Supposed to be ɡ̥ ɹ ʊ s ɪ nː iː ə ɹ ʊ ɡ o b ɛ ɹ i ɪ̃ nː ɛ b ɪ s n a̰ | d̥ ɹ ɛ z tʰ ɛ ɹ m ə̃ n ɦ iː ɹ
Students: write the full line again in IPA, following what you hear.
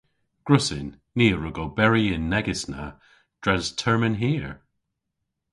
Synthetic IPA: ɡ̥ ɹ ʊ s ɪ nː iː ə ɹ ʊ ɡ o b ɛ ɹ i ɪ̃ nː ɛ ɡ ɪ s n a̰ | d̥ ɹ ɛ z tʰ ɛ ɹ m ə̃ n ɦ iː ɹ